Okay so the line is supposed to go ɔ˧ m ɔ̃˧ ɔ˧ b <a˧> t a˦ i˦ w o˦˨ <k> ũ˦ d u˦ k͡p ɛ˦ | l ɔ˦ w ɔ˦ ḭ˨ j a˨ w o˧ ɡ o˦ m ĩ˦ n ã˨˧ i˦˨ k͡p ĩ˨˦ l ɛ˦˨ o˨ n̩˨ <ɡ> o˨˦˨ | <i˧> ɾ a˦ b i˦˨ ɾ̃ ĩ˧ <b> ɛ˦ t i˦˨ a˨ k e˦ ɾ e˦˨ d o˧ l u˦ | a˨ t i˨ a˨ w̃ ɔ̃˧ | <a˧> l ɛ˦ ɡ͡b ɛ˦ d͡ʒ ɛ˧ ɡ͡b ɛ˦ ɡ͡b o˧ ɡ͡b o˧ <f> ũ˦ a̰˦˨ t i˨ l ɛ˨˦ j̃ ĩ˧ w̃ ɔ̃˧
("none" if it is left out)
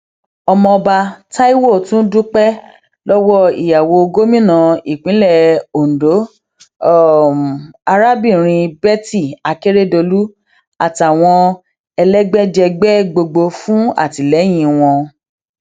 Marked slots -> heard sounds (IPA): a˧, t, d, a˧, b, ɛ˧, f

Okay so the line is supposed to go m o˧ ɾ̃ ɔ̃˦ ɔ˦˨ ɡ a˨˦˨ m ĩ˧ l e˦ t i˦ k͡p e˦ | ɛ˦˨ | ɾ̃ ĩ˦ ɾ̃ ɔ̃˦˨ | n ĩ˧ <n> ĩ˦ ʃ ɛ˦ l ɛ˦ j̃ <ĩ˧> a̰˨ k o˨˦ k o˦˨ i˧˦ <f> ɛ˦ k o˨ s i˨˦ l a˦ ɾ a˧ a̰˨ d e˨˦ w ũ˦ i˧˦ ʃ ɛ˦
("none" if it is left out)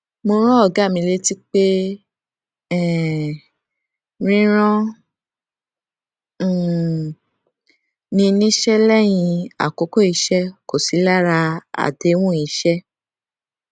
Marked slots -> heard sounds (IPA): n, ĩ˧, ʃ

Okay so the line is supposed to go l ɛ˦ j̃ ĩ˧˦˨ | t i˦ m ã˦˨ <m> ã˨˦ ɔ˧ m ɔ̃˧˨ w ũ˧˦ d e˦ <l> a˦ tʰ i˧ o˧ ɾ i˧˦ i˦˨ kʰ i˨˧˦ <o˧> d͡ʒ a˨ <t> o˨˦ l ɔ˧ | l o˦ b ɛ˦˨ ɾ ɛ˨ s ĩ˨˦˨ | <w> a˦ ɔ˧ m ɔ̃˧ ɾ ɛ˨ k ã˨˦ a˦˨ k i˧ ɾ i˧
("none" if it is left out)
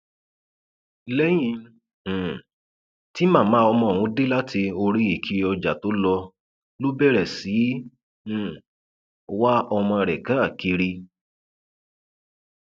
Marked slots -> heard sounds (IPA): m, l, ɔ˧, t, w

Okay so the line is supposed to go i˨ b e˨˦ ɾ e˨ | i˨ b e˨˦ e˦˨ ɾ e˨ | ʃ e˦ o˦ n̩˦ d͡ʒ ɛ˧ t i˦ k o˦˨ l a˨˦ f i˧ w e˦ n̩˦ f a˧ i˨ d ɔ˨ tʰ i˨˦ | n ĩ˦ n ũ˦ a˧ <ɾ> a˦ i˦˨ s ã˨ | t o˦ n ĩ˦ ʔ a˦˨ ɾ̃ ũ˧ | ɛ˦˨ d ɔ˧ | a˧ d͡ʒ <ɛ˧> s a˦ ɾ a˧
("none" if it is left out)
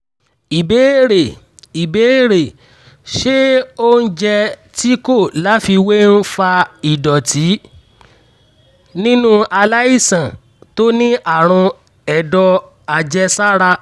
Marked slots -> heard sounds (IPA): l, ɛ˧

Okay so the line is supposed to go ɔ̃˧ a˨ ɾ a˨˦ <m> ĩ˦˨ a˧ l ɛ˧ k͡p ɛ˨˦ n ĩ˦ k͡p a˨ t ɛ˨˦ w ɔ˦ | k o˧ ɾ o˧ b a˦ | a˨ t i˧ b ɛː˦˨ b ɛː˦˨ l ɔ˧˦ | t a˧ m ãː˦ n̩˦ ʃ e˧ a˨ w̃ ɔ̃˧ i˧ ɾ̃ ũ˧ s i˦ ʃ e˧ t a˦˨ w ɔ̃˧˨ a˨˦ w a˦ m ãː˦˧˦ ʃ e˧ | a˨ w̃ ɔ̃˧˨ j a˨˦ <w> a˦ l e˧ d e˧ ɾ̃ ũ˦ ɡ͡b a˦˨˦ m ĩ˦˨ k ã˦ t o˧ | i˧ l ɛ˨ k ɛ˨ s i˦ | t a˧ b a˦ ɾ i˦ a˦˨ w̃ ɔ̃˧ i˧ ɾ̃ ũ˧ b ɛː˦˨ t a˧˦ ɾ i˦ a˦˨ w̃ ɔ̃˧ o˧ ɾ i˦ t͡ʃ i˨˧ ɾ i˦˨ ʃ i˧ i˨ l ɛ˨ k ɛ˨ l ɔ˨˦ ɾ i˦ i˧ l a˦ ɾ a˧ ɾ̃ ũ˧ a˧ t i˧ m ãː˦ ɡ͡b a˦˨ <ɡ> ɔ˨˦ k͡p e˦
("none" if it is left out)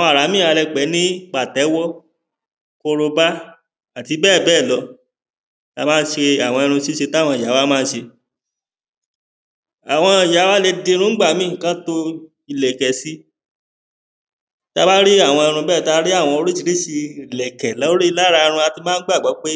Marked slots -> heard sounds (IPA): m, w, ɡ͡b

